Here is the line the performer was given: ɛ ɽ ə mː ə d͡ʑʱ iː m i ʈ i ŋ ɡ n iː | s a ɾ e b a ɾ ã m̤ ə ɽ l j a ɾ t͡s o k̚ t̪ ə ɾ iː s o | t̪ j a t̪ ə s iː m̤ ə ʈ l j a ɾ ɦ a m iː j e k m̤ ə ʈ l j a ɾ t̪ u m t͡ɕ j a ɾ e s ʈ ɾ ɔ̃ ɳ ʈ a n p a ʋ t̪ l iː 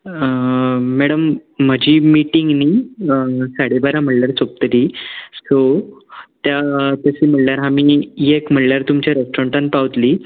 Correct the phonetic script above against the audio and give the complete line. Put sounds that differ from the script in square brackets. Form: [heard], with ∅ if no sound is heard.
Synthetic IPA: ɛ ɽ ə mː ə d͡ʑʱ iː m i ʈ i ŋ ɡ n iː | s a [ɽ] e b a ɾ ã m̤ ə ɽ l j a ɾ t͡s o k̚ t̪ ə ɾ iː s o | t̪ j a t̪ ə s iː m̤ ə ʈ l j a ɾ ɦ a m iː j e k m̤ ə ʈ l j a ɾ t̪ u m t͡ɕ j a ɾ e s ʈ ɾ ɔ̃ ɳ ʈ a n p a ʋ t̪ l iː

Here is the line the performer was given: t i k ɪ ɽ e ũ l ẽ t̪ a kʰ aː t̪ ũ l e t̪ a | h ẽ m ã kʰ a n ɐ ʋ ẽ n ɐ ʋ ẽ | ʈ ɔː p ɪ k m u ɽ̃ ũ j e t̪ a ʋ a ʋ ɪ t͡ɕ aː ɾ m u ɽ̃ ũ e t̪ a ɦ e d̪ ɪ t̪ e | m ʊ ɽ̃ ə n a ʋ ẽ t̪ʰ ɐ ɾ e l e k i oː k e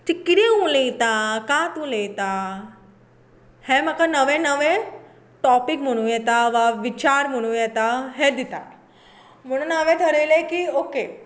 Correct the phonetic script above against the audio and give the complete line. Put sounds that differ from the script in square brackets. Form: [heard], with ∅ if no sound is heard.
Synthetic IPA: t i k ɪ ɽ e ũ l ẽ t̪ a [k] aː t̪ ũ l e t̪ a | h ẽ m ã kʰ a n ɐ ʋ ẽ n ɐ ʋ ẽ | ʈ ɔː p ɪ k m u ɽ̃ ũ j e t̪ a ʋ a ʋ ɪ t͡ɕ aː ɾ m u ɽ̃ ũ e t̪ a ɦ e d̪ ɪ t̪ [a] | m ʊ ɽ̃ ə n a ʋ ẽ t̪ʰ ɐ ɾ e l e k i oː k e

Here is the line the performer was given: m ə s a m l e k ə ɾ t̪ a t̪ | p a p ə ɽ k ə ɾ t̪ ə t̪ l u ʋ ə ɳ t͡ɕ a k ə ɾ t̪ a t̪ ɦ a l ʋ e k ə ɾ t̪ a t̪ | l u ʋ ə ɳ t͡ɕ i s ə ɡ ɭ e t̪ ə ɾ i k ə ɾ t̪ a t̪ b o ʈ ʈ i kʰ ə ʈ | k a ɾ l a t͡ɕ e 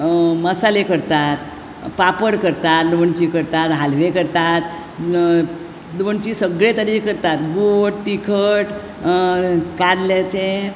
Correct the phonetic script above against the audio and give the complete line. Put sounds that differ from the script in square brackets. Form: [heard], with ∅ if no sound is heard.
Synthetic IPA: m ə s a [∅] l e k ə ɾ t̪ a t̪ | p a p ə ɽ k ə ɾ t̪ [a] t̪ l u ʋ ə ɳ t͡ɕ [i] k ə ɾ t̪ a t̪ ɦ a l ʋ e k ə ɾ t̪ a t̪ | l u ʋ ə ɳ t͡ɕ i s ə ɡ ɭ e t̪ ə ɾ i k ə ɾ t̪ a t̪ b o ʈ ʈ i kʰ ə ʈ | k a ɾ l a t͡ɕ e

